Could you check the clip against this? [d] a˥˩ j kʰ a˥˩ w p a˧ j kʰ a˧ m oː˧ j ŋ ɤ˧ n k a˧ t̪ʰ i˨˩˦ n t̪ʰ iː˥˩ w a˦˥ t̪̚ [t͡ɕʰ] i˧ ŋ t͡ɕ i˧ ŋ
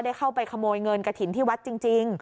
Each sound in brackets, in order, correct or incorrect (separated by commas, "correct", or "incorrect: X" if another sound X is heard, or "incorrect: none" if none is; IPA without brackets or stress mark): correct, incorrect: t͡ɕ